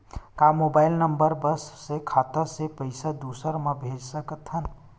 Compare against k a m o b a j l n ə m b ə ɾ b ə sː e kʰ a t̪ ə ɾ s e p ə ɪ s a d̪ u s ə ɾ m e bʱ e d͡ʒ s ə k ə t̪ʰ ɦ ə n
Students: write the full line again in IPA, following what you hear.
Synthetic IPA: k a m o b a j l n ə m b ə ɾ b ə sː e kʰ a t̪ ə ɾ s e p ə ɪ s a d̪ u s ə ɾ m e bʱ e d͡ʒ s ə k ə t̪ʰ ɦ ə n